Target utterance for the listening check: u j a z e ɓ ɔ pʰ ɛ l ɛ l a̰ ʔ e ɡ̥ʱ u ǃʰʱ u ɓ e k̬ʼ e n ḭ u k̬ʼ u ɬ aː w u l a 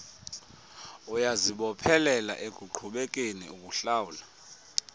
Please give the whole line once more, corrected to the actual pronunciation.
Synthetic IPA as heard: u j a z i ɓ ɔ pʰ ɛ l ɛ l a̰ ʔ e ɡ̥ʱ u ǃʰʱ u ɓ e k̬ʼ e n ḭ u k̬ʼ u ɬ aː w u l a